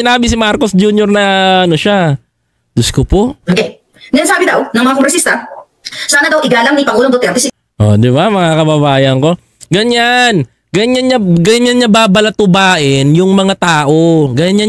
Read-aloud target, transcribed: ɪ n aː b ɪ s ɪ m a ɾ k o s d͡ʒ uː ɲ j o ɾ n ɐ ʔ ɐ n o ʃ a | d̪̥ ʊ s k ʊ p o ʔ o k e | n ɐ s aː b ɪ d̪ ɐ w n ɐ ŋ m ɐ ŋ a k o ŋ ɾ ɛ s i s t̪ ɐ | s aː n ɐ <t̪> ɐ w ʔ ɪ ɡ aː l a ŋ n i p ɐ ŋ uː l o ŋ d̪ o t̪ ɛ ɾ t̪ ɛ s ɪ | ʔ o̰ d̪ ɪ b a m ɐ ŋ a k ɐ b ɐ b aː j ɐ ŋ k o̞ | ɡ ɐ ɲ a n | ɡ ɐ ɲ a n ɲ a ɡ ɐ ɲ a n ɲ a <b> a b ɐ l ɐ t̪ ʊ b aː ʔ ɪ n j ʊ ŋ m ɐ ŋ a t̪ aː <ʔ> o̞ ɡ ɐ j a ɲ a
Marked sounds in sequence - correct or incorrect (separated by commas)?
incorrect, correct, correct